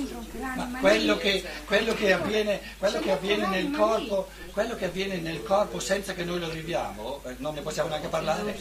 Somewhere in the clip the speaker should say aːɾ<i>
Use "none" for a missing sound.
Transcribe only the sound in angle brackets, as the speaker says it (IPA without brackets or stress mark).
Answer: e